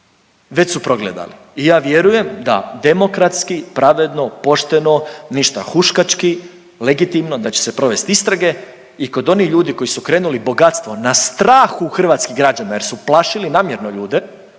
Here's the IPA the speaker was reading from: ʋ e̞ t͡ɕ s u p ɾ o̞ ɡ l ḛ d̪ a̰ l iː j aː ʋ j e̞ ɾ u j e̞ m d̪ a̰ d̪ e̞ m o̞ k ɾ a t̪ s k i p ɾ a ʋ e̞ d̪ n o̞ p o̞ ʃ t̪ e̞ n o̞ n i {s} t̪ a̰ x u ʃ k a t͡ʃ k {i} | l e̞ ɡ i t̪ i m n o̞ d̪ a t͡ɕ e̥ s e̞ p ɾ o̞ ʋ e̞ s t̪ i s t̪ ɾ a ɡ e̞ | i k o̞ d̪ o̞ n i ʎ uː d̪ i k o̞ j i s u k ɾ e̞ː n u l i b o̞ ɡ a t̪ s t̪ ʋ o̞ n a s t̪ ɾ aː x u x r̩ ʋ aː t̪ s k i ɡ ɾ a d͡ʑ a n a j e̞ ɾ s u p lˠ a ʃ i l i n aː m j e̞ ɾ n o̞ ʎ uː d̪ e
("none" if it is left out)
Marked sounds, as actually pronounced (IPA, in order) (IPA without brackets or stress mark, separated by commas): ʃ, i